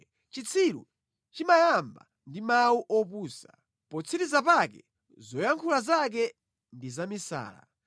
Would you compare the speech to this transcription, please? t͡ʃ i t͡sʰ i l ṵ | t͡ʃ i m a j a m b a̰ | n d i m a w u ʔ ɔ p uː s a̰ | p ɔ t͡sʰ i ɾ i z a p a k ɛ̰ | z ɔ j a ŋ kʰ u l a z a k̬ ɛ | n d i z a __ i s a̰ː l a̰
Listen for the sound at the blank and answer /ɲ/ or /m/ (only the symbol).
m